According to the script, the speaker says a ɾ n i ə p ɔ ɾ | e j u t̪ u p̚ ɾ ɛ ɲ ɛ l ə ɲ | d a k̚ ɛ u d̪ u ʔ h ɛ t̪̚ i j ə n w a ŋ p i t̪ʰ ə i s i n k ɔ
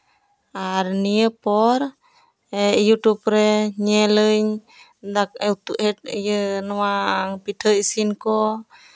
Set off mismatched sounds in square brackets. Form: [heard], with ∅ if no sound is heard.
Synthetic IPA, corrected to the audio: a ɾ n i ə p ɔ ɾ | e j u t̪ u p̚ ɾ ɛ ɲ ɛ l ə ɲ | d a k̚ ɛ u [t̪] u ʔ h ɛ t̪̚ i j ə n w a ŋ p i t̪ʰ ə i s i n k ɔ